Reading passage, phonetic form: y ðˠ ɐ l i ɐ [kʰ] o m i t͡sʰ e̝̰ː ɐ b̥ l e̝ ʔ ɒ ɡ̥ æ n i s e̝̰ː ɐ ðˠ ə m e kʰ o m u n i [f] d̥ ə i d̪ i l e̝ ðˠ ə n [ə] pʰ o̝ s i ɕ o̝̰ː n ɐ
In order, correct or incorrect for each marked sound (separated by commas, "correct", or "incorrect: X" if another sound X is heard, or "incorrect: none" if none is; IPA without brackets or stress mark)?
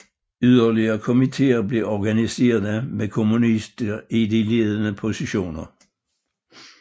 correct, incorrect: s, correct